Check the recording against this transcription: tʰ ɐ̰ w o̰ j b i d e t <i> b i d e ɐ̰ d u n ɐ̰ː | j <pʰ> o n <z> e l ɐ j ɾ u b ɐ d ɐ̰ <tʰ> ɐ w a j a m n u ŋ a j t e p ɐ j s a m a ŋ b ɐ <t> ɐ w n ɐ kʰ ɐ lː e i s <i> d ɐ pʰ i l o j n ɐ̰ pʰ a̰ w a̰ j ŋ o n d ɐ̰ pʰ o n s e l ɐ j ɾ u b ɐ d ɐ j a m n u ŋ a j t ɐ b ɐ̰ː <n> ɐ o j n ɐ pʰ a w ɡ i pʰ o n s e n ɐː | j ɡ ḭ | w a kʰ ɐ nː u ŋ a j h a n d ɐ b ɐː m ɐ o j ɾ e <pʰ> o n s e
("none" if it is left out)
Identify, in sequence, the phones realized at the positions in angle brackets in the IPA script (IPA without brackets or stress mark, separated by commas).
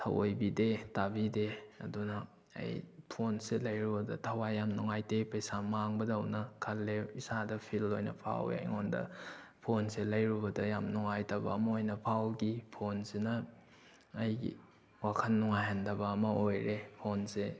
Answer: a, pʰ, s, tʰ, d, a, m, pʰ